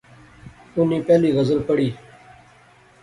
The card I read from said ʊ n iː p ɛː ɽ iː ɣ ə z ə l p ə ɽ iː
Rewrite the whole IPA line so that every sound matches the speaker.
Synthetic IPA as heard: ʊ n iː p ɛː l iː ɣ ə z ə l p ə ɽ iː